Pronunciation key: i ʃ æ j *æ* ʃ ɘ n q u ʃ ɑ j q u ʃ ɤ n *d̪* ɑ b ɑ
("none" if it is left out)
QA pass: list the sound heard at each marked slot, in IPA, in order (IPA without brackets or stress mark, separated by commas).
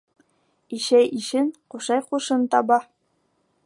i, t̪